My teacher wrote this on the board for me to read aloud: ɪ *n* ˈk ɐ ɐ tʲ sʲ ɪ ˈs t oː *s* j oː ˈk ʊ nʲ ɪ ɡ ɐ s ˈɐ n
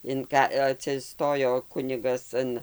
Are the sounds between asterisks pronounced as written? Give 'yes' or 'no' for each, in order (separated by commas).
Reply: yes, no